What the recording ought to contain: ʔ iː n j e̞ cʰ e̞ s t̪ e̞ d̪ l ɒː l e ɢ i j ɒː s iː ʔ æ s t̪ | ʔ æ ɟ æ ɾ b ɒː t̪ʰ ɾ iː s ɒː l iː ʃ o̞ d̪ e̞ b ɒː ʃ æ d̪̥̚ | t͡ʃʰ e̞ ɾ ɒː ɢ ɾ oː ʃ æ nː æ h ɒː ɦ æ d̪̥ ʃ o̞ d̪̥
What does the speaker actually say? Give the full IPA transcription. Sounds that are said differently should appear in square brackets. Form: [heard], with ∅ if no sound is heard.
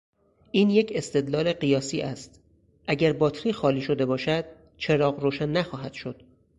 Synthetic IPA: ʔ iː n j e̞ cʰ e̞ s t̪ e̞ d̪ l ɒː l e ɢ i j ɒː s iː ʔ æ s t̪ | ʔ æ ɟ æ ɾ b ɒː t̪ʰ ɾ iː [x] ɒː l iː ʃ o̞ d̪ e̞ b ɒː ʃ æ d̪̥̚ | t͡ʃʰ e̞ ɾ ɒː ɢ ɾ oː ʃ æ nː æ [x] ɒː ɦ æ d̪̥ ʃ o̞ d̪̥